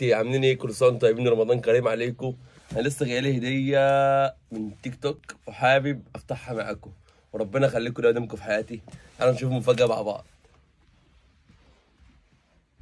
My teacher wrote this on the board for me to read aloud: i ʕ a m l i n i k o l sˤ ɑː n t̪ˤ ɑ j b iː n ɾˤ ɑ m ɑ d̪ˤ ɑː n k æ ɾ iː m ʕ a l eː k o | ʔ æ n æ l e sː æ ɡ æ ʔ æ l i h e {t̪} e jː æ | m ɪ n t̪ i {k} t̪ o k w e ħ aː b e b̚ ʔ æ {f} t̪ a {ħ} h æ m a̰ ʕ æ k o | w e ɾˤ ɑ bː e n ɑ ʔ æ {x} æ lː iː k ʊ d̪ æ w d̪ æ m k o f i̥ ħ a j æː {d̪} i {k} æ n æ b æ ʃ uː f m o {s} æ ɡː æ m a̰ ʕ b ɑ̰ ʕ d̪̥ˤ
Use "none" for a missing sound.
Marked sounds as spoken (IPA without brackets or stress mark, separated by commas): d̪, k, f, ħ, x, t̪, ʔ, f